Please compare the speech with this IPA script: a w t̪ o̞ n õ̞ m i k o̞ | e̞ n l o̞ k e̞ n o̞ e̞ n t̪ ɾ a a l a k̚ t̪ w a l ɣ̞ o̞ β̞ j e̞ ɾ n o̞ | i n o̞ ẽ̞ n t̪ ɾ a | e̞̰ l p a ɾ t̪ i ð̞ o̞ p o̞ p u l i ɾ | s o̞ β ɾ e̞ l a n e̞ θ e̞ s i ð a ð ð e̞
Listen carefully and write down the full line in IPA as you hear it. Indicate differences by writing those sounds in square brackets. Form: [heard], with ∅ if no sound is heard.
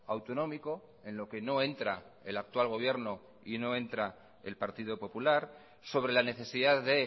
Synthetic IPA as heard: a w t̪ o̞ n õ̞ m i k o̞ | e̞ n l o̞ k e̞ n o̞ e̞ n t̪ ɾ a [e] l a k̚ t̪ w a l ɣ̞ o̞ β̞ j e̞ ɾ n o̞ | i n o̞ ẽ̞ n t̪ ɾ a | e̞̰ l p a ɾ t̪ i ð̞ o̞ p o̞ p u l [a] ɾ | s o̞ β ɾ e̞ l a n e̞ θ e̞ s i ð a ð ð e̞